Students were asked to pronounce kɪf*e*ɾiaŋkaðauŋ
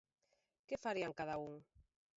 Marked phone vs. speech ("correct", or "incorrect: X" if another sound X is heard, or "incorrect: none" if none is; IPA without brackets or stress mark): incorrect: a